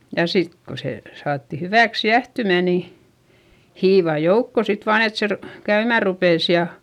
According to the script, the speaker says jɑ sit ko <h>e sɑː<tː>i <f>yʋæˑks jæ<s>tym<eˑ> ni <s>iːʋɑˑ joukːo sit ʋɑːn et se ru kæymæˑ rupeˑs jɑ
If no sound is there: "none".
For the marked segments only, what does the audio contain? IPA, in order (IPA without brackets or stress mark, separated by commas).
s, tː, h, h, æˑ, h